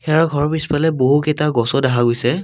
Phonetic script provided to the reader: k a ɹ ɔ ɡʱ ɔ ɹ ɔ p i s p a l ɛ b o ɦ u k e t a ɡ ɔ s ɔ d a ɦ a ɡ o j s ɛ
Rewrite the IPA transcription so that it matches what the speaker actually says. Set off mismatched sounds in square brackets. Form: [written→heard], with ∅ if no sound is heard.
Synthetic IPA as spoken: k [a→ɛ] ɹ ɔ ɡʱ ɔ ɹ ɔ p i s p a l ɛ b o ɦ u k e t a ɡ ɔ s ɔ d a ɦ a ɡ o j s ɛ